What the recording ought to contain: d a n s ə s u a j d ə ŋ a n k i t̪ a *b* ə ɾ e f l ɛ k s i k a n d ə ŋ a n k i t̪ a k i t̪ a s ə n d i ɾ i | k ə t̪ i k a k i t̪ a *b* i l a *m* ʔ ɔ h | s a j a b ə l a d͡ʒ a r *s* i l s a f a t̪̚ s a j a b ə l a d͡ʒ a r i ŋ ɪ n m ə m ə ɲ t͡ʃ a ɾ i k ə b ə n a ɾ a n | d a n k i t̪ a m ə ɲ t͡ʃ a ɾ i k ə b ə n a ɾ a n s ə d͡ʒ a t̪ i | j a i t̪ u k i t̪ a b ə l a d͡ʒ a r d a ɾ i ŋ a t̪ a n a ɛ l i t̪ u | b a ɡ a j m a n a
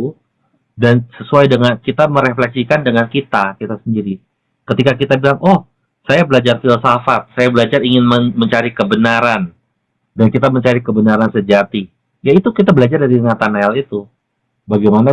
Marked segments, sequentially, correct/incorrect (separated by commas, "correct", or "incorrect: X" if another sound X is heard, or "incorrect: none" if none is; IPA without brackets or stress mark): incorrect: m, correct, incorrect: ŋ, incorrect: f